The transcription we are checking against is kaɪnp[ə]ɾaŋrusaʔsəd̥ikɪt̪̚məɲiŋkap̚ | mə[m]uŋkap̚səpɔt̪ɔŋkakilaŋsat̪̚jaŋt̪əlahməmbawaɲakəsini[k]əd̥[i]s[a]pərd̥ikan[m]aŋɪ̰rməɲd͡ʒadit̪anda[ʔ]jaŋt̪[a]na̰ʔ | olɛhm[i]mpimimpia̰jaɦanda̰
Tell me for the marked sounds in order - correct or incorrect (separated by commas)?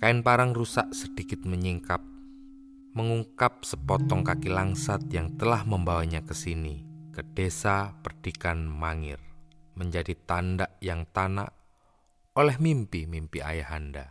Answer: incorrect, incorrect, correct, incorrect, correct, correct, correct, correct, correct